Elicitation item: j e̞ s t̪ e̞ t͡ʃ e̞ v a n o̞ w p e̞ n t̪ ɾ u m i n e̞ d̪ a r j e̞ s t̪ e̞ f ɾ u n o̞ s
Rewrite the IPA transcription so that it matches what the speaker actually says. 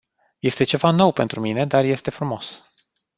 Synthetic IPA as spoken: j e̞ s t̪ e̞ t͡ʃ e̞ v a n o̞ w p e̞ n t̪ ɾ u m i n e̞ d̪ a r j e̞ s t̪ e̞ f ɾ u m o̞ s